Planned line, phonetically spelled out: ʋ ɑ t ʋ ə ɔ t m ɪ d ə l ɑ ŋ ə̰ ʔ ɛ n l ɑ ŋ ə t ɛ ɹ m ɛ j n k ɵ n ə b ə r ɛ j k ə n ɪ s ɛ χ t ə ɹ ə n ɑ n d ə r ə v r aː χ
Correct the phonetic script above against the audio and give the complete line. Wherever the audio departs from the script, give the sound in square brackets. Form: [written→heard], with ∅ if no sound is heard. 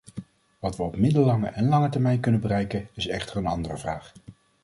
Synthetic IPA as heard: ʋ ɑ t ʋ ə ɔ [t→p] m ɪ d ə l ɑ ŋ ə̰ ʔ ɛ n l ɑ ŋ ə t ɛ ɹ m ɛ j n k ɵ n ə b ə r ɛ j k ə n ɪ s ɛ χ t ə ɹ ə n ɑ n d ə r ə v r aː χ